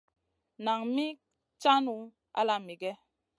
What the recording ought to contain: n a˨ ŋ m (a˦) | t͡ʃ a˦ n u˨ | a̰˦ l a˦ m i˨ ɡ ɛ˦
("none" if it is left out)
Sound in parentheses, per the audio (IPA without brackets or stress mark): i˦